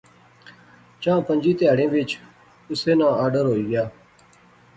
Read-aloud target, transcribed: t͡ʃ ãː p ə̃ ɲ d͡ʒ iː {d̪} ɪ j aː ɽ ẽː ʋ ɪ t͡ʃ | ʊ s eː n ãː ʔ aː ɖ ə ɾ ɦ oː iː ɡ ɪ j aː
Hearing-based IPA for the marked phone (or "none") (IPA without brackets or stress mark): t̪